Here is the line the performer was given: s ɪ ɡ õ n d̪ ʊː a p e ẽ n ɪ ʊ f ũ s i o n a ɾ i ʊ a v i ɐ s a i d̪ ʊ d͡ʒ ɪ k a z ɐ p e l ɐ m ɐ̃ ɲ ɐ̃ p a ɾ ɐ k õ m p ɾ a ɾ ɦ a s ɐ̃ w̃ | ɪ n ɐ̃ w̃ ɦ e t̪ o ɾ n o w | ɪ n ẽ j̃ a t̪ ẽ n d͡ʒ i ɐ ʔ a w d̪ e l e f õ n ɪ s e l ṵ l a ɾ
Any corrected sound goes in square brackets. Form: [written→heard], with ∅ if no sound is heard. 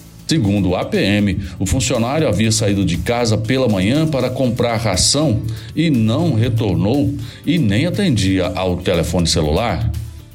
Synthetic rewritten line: s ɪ ɡ [õ→ũ] n d̪ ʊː a p e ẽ [n→m] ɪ ʊ f ũ s i o n a ɾ [i→j] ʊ a v i ɐ s a i d̪ ʊ d͡ʒ ɪ k a z ɐ p e l ɐ m ɐ̃ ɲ ɐ̃ p a ɾ ɐ k õ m p ɾ a ɾ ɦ a s ɐ̃ w̃ | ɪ n ɐ̃ w̃ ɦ e t̪ o ɾ n o w | ɪ n ẽ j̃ a t̪ ẽ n d͡ʒ i ɐ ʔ a w [d̪→t̪] e l e f õ n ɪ s e l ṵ l a ɾ